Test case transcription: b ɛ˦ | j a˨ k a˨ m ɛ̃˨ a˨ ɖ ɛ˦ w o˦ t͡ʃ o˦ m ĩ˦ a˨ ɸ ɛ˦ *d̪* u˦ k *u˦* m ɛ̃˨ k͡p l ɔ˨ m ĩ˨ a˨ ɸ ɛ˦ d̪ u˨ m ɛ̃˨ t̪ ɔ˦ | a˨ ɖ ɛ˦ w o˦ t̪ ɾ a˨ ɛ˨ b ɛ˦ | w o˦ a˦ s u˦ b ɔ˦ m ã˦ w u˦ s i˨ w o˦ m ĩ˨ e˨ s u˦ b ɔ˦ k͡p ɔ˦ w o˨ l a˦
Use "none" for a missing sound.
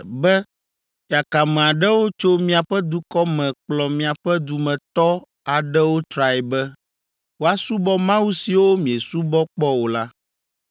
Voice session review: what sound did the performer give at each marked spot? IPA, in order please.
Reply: d̪, ɔ˦

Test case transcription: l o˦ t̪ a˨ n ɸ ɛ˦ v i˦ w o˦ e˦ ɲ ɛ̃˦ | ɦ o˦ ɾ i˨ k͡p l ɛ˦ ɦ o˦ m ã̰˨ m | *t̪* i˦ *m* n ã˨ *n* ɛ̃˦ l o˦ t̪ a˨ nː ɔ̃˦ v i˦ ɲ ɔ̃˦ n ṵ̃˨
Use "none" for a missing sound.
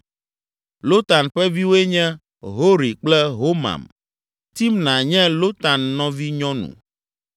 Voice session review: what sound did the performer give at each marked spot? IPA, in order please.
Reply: t̪, m, ɲ

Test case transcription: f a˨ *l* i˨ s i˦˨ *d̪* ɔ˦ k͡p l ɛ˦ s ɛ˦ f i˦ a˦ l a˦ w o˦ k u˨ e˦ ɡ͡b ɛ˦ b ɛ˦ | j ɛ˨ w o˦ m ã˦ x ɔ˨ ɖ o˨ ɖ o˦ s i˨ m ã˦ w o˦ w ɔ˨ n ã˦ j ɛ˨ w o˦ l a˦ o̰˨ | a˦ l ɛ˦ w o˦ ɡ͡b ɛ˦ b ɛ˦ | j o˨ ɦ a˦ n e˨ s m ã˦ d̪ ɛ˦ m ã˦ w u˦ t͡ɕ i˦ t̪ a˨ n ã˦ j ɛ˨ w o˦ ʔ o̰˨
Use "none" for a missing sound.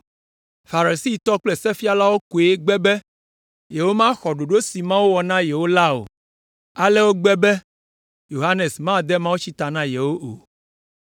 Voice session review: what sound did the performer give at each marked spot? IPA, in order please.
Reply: ɾ, t̪

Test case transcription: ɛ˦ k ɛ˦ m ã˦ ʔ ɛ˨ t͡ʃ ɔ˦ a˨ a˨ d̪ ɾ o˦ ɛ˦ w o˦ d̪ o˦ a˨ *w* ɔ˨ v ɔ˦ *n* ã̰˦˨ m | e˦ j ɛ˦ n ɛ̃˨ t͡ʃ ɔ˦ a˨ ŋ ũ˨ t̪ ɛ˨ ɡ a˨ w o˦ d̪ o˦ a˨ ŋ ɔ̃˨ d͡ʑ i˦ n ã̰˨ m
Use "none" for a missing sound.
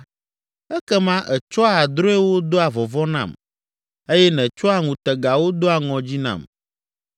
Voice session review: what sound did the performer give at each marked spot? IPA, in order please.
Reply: v, n

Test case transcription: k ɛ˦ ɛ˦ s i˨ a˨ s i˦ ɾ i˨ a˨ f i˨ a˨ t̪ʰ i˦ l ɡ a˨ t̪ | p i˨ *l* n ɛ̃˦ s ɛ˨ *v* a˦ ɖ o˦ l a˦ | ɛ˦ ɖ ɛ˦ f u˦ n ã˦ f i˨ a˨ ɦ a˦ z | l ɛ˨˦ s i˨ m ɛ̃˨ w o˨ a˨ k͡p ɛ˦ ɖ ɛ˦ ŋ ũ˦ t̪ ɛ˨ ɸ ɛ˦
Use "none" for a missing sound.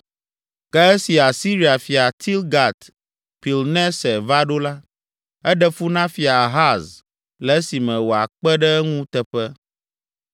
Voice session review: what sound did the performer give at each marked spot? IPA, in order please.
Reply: l, v

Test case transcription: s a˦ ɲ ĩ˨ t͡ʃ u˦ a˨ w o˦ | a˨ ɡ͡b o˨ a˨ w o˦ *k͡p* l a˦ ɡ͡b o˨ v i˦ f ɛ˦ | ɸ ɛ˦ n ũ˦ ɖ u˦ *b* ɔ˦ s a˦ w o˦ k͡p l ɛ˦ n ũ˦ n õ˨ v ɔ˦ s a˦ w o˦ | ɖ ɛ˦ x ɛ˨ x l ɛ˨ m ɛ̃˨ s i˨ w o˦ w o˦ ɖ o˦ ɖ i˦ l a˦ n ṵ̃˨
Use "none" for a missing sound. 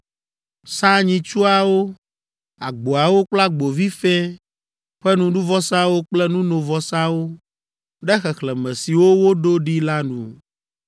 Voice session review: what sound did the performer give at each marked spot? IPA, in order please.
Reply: k͡p, v

